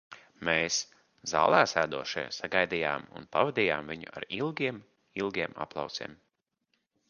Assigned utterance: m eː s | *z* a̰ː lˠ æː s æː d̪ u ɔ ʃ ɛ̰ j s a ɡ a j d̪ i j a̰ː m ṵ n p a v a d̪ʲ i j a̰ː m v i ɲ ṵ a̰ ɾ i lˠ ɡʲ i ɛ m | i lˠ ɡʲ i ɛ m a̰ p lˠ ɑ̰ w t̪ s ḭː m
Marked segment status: correct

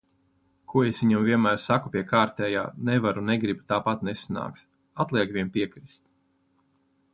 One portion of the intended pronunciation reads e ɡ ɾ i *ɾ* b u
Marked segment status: incorrect: none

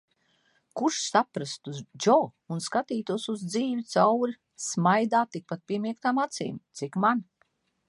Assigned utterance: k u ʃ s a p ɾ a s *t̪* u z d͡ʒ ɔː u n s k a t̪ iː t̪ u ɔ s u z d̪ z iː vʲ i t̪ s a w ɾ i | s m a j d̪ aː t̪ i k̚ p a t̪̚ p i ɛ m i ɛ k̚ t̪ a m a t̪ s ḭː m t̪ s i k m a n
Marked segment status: correct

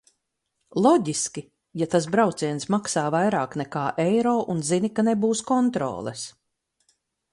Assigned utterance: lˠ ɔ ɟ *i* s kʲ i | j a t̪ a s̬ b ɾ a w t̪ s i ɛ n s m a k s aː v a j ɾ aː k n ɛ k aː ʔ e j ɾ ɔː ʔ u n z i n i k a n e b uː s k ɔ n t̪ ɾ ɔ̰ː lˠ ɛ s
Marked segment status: correct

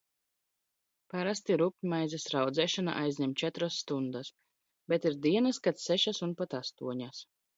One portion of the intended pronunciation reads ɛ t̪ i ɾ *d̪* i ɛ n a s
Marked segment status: correct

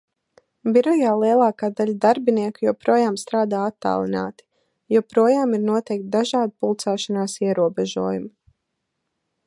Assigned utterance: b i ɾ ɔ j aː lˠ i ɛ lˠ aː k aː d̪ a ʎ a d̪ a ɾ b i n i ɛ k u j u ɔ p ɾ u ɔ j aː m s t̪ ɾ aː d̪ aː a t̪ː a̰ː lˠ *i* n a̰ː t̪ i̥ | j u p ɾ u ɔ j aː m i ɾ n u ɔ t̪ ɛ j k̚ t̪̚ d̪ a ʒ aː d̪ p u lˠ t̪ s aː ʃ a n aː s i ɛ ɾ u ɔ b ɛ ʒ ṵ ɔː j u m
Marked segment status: correct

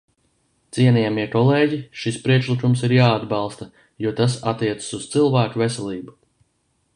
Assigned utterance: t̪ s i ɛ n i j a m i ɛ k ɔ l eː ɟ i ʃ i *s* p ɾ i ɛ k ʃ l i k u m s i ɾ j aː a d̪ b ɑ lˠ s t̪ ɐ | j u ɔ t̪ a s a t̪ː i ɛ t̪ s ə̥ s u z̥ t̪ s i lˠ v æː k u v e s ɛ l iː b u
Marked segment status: correct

